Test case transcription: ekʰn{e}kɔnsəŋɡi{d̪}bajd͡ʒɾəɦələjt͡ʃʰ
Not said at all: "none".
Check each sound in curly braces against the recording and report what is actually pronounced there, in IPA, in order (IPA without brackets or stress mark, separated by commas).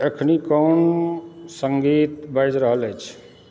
i, t̪